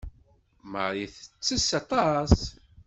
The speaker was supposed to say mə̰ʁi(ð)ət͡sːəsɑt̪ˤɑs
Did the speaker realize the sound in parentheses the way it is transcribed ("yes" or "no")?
no